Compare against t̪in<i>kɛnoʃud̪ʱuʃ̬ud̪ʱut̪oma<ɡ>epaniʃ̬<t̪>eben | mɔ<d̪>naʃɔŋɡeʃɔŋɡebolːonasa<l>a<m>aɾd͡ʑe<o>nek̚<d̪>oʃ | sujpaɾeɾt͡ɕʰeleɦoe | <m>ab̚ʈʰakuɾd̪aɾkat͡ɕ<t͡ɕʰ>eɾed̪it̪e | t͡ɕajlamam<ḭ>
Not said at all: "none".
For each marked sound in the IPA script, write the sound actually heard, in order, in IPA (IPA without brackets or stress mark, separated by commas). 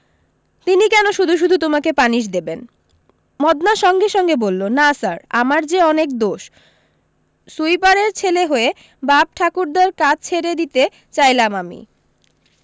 i, k, d̪, d̪, ɾ, m, ɔ, d̪, b, t͡ɕʰ, ḭ